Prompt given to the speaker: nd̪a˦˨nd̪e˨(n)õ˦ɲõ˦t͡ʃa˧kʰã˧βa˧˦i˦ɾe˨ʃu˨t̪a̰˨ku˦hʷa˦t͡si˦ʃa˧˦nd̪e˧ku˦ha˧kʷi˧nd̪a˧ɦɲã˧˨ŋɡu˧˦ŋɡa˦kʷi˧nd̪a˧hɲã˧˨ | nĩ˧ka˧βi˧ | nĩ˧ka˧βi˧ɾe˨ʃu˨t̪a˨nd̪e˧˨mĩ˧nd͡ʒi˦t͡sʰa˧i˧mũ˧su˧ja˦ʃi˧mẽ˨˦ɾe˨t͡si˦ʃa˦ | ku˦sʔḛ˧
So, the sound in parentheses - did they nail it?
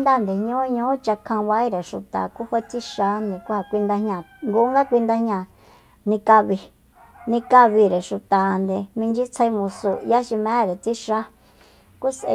no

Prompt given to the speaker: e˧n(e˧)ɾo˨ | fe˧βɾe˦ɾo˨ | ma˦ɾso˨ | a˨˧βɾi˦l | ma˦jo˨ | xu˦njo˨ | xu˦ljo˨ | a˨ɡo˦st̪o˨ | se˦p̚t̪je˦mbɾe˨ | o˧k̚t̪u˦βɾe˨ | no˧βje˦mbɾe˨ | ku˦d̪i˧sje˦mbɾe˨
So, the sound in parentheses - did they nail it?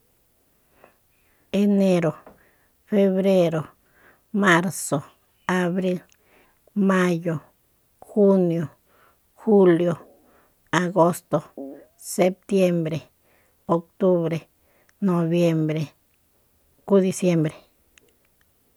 yes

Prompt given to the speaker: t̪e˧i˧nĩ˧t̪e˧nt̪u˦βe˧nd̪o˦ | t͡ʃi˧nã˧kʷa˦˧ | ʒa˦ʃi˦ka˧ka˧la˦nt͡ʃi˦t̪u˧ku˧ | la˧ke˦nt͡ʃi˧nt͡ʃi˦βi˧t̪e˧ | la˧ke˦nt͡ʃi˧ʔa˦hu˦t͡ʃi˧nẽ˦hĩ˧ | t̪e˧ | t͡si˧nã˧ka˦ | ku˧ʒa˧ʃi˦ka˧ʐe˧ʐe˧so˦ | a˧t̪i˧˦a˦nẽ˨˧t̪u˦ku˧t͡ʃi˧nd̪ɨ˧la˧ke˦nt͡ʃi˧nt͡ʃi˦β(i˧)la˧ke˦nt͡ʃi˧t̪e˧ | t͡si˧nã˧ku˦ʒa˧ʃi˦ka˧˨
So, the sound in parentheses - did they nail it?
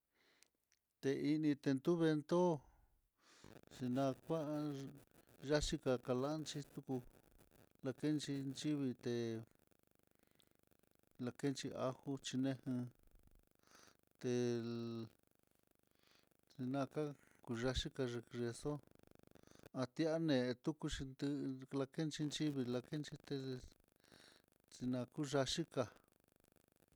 yes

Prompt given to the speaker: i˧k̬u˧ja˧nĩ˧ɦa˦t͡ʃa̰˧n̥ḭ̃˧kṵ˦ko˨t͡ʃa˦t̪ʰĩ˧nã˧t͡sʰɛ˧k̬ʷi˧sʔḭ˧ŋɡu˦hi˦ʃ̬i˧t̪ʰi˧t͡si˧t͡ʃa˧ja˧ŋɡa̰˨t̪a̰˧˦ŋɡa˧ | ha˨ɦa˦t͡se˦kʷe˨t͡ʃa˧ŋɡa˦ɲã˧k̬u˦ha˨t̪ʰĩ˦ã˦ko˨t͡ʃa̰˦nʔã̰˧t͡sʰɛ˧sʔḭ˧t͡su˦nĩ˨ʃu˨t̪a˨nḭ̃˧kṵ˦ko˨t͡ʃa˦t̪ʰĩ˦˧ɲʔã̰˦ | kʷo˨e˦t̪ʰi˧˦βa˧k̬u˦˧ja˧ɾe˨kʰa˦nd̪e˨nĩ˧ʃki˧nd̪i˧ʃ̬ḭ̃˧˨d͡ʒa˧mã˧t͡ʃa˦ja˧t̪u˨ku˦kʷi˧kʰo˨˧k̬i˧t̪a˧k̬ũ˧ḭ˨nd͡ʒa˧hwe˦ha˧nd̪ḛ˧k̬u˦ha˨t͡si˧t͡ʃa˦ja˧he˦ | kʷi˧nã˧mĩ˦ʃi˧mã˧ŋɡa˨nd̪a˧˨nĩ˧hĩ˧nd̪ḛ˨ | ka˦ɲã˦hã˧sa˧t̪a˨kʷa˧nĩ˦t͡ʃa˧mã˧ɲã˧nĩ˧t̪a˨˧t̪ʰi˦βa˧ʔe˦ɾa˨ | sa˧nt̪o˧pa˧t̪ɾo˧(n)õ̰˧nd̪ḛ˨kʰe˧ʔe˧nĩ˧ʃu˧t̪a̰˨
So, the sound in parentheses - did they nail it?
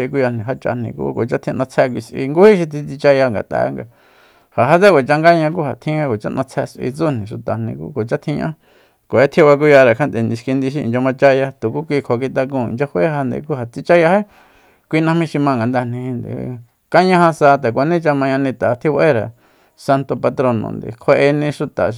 yes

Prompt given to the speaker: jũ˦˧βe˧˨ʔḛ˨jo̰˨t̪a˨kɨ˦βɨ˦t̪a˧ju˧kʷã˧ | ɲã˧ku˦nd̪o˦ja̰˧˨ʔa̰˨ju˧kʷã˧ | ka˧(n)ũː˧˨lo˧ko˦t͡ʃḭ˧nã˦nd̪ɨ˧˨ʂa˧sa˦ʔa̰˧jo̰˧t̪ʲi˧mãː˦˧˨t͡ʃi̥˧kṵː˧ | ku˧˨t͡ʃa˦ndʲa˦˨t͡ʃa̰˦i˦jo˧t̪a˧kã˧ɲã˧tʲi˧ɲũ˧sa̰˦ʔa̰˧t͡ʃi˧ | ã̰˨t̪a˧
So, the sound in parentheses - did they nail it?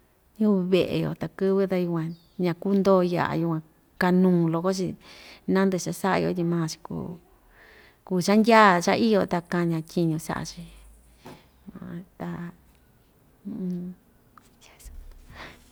yes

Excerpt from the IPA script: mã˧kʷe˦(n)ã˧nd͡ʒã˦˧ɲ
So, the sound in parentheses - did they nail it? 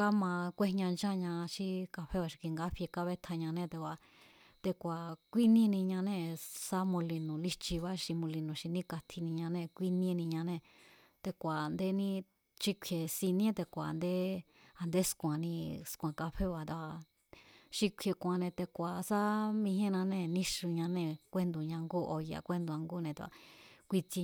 no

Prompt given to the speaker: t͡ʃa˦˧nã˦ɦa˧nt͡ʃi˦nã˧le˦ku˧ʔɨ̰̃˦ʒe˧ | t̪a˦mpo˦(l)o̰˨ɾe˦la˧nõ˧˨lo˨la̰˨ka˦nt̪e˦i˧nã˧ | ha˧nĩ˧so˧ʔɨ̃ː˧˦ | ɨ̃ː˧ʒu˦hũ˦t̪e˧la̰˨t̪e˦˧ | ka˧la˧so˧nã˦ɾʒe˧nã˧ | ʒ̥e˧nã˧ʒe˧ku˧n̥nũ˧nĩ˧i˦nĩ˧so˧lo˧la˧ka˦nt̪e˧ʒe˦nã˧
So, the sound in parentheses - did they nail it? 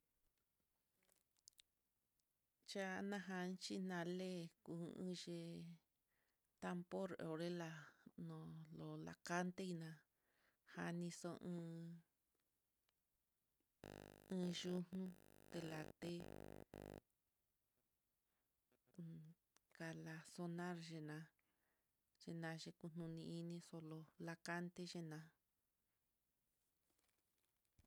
no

